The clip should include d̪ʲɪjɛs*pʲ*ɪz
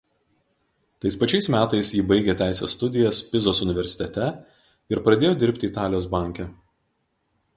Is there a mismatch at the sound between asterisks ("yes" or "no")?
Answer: no